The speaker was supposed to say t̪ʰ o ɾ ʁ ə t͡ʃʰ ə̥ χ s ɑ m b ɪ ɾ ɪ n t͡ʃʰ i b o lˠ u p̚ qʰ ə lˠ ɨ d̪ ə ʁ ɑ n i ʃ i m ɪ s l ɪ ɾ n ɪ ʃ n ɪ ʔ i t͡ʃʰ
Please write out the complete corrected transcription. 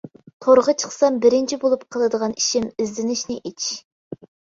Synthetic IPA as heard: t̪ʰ o ɾ ʁ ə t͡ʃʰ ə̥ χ s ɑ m b ɪ ɾ ɪ n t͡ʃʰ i b o lˠ u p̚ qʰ ə lˠ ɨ d̪ ə ʁ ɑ n i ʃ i m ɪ z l ɪ n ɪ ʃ n ɪ ʔ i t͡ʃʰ